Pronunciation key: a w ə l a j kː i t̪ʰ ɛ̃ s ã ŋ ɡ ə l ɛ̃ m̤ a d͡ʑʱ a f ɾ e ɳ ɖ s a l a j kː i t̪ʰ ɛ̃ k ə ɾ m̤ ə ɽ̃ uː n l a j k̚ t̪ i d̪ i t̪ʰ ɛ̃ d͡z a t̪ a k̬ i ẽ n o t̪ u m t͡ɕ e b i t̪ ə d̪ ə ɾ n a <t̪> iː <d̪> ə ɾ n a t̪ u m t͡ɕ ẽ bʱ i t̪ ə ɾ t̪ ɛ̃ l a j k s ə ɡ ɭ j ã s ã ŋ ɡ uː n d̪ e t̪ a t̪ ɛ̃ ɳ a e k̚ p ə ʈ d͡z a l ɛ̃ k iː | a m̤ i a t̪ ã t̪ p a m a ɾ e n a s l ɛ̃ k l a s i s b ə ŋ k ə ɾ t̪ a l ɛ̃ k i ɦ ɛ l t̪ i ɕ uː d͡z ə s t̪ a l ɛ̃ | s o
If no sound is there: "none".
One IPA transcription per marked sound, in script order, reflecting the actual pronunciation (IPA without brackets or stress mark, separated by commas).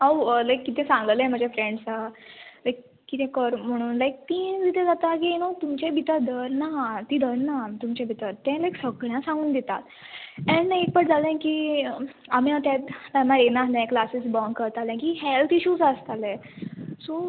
t̪, d̪